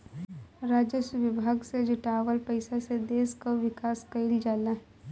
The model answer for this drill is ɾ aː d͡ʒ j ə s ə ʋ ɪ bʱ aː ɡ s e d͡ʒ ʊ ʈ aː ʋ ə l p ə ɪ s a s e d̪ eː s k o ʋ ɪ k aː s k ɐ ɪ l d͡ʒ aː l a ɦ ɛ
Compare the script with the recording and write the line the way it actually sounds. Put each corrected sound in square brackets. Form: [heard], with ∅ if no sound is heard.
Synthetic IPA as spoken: ɾ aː d͡ʒ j ə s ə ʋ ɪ bʱ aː ɡ s e d͡ʒ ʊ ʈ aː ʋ ə l p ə ɪ s a s e d̪ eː s k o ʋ ɪ k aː s k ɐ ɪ l d͡ʒ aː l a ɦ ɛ